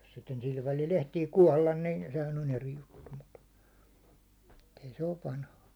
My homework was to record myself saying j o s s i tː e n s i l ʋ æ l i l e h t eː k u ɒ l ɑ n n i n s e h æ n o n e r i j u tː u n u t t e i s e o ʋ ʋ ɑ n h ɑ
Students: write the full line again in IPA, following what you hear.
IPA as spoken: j o s s i tː e n s i l ʋ æ l i l e h t iː k u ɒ lː ɑ n n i n s e h æ n o n e r i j u tː u m u t t e i s e o ʋ ʋ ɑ n h ɑ